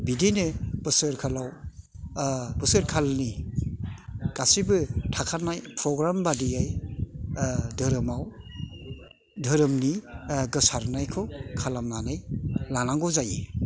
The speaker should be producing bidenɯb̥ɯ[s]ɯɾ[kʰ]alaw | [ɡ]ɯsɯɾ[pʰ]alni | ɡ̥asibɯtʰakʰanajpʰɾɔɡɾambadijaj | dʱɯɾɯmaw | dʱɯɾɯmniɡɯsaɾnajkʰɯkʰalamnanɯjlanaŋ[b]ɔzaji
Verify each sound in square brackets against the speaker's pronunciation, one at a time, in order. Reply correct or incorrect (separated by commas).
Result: correct, correct, incorrect, incorrect, incorrect